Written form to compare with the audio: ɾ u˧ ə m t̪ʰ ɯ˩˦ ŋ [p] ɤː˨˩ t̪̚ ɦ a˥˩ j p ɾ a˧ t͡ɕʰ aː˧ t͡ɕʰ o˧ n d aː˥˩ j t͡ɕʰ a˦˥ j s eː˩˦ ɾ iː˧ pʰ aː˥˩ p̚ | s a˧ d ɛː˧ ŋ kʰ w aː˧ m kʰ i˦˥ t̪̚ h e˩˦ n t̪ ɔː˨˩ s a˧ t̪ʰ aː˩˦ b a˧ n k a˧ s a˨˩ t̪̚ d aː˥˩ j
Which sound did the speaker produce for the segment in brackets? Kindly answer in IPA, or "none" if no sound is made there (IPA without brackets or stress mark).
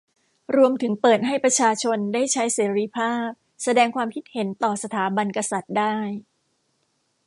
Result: p